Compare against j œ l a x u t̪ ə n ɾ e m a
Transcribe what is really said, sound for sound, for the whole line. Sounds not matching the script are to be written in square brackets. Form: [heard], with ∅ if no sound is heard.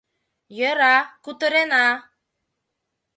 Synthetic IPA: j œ [ɾ] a [k] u t̪ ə [∅] ɾ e [n] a